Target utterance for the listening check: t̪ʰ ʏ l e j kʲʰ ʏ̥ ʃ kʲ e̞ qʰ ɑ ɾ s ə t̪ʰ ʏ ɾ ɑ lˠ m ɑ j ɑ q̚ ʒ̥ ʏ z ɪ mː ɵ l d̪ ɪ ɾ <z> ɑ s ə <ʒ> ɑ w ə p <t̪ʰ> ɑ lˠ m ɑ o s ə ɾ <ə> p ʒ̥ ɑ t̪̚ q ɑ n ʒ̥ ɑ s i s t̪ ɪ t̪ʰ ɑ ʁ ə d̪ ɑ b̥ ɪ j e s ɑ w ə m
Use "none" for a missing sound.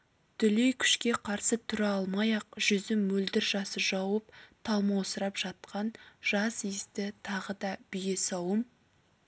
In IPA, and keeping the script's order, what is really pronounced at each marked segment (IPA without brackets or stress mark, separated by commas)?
ʒ, ʒ, t̪ʰ, ɑ